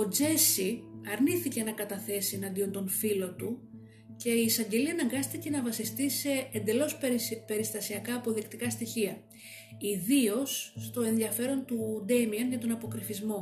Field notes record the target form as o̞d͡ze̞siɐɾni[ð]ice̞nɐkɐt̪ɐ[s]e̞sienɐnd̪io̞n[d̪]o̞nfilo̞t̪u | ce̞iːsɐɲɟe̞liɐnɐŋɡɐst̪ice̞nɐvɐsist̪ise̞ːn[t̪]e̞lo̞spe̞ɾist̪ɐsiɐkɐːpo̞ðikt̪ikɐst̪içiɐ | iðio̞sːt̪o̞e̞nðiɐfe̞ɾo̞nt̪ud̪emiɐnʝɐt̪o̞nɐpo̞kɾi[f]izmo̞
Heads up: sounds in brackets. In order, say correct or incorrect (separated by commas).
incorrect, incorrect, incorrect, incorrect, correct